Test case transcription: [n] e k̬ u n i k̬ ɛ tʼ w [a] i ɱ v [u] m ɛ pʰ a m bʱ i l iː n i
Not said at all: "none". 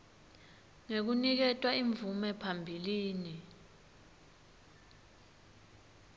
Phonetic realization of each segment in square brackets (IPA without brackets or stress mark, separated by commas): ŋ, a, u